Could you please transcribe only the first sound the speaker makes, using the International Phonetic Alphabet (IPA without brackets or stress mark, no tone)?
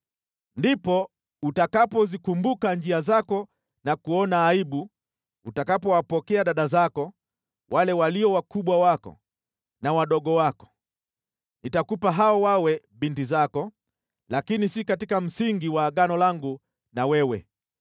n